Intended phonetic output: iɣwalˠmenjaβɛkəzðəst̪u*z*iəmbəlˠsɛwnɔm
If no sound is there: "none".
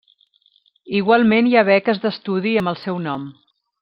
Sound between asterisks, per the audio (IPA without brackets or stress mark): ð